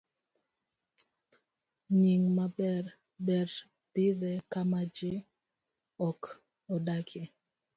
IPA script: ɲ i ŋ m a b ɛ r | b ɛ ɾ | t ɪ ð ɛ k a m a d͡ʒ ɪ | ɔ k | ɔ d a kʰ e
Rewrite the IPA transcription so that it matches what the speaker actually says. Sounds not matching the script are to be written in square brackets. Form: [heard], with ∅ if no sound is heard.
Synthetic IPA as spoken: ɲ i ŋ m a b ɛ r | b ɛ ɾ | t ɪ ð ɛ k a m a d͡ʒ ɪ | ɔ k | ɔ d a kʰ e

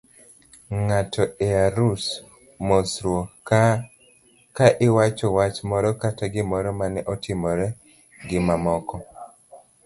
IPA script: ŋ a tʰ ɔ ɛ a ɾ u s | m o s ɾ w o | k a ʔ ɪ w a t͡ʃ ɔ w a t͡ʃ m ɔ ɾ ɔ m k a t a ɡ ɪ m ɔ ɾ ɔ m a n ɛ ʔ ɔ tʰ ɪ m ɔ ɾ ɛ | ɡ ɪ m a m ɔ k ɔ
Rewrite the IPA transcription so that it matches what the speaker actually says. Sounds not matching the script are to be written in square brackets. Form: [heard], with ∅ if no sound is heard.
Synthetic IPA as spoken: ŋ a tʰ ɔ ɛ a ɾ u s | m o s ɾ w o | k a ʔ ɪ w a t͡ʃ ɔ w a t͡ʃ m ɔ ɾ ɔ [∅] k a t a ɡ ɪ m ɔ ɾ ɔ m a n ɛ ʔ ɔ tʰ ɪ m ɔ ɾ ɛ | ɡ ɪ m a m ɔ k ɔ

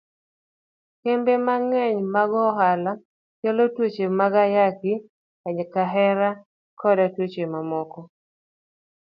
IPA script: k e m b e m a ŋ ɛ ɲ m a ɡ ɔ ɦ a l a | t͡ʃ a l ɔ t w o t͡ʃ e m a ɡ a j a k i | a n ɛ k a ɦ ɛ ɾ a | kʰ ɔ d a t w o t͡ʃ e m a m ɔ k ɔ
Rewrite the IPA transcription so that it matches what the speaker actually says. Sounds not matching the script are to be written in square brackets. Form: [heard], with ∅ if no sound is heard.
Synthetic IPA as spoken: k e m b e m a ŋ ɛ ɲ m a ɡ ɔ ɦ a l a | t͡ʃ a l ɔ t w o t͡ʃ e m a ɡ a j a k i | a [ɲ] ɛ k a ɦ ɛ ɾ a | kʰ ɔ d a t w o t͡ʃ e m a m ɔ k ɔ

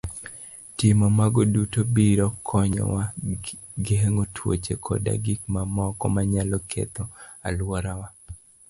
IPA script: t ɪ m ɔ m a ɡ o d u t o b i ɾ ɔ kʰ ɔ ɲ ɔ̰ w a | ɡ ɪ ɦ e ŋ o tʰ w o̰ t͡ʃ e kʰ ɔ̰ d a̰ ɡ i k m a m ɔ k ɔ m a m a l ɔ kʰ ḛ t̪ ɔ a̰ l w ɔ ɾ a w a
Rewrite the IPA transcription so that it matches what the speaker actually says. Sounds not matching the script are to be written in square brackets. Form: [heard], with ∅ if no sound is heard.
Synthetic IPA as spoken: t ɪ m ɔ m a ɡ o d u t o b i ɾ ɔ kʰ ɔ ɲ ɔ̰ w a | ɡ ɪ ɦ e ŋ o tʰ w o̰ t͡ʃ e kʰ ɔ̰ d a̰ ɡ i k m a m ɔ k ɔ m a [ɲ] a l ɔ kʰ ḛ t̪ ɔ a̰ l w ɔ ɾ a w a

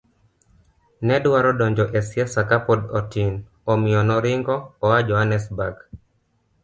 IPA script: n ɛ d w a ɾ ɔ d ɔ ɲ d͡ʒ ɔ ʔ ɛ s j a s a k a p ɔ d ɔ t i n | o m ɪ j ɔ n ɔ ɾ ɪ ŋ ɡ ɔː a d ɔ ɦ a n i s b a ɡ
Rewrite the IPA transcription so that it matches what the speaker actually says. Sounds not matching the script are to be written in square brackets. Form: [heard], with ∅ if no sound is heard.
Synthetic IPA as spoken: n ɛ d w a ɾ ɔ d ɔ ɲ d͡ʒ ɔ ʔ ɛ s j a s a k a p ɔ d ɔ t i n | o m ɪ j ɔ n ɔ ɾ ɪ ŋ ɡ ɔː a [d͡ʒ] ɔ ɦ a n [ɛ] s b a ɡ

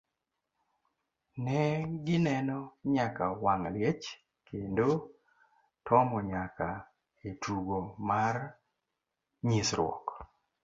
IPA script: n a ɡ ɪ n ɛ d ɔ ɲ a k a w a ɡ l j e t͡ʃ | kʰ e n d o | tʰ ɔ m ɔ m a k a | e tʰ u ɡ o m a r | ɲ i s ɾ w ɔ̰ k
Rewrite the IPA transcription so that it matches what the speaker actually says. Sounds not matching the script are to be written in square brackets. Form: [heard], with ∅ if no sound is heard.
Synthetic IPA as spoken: n [ɛ] ɡ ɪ n ɛ [n] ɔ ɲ a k a w a [ŋ] l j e t͡ʃ | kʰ e n d o | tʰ ɔ m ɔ [ɲ] a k a | e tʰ u ɡ o m a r | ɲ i s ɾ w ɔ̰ k

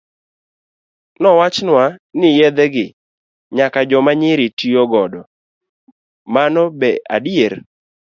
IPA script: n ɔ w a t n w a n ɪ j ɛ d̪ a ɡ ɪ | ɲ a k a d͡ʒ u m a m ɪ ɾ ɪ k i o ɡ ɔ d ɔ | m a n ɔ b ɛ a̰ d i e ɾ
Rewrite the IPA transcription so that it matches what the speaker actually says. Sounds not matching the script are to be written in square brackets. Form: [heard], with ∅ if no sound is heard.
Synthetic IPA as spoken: n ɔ w a [t͡ʃ] n w a n ɪ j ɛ d̪ [ɛ] ɡ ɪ | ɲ a k a d͡ʒ [ɔ] m a [ɲ] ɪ ɾ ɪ [t] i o ɡ ɔ d ɔ | m a n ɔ b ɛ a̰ d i e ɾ

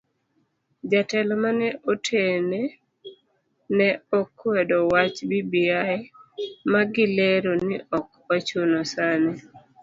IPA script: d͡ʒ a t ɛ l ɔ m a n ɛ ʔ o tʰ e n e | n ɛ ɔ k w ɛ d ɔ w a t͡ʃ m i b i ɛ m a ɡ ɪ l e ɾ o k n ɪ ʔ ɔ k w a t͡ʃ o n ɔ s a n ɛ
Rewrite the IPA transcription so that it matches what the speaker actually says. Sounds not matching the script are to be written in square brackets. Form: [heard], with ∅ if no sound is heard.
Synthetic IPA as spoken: d͡ʒ a t ɛ l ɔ m a n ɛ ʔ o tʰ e n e | n ɛ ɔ k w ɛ d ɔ w a t͡ʃ [b] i b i [a] m a ɡ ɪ l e ɾ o [∅] n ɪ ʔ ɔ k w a t͡ʃ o n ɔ s a n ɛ

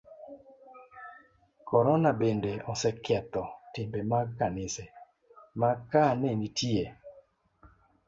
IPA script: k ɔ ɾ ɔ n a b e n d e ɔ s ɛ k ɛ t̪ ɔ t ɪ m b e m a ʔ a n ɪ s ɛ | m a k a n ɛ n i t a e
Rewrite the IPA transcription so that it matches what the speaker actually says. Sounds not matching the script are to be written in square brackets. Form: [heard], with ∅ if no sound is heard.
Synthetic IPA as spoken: k ɔ ɾ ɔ n a b e n d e ɔ s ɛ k ɛ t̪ ɔ t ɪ m b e m a [k] a n ɪ s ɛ | m a k a n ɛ n i t [i] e

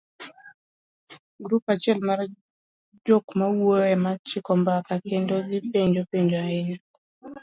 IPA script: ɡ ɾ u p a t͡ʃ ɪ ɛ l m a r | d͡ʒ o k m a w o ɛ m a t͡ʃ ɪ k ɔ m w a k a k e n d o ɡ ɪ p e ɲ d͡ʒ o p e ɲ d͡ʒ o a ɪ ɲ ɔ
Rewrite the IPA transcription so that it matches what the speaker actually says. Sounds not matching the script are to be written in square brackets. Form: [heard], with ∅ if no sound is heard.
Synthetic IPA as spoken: ɡ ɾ u p a t͡ʃ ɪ ɛ l m a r | d͡ʒ o k m a w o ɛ m a t͡ʃ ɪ k ɔ m [b] a k a k e n d o ɡ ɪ p e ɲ d͡ʒ o p e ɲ d͡ʒ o a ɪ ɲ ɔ

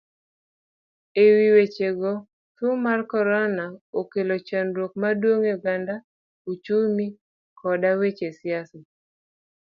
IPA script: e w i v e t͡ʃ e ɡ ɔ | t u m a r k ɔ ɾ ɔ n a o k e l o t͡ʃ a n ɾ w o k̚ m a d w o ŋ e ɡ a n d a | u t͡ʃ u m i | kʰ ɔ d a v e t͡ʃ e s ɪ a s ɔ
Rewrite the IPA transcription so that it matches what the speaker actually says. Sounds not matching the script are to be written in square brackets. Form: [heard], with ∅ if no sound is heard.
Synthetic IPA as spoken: e w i [w] e t͡ʃ e ɡ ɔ | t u m a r k ɔ ɾ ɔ n a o k e l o t͡ʃ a n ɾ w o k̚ m a d w o ŋ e ɡ a n d a | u t͡ʃ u m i | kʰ ɔ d a [w] e t͡ʃ e s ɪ a s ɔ

